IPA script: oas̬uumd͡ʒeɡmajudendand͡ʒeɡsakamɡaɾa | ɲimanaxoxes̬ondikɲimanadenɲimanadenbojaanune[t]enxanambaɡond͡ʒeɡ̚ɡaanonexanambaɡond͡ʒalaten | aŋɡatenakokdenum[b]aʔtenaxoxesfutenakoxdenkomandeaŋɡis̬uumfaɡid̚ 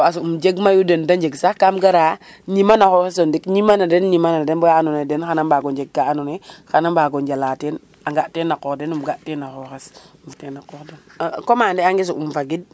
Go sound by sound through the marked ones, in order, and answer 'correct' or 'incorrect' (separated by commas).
incorrect, incorrect